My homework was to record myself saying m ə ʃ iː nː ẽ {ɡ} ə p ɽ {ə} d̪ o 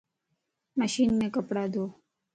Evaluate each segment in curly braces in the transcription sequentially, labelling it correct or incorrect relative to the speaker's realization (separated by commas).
incorrect, incorrect